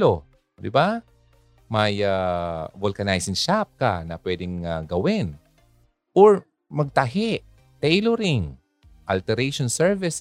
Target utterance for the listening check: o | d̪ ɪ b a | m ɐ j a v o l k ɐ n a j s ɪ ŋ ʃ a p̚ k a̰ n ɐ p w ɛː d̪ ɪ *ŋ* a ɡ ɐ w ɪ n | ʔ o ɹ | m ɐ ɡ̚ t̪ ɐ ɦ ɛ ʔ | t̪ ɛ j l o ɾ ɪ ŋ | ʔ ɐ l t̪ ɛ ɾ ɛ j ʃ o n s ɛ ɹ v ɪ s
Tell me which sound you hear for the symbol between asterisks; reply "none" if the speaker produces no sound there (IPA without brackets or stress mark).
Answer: ŋ